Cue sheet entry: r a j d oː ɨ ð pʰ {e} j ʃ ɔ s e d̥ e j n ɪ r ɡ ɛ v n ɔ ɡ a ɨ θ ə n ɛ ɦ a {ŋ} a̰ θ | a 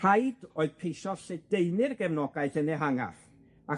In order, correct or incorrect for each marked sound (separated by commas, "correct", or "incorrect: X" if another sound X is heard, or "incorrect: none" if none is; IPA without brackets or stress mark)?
correct, correct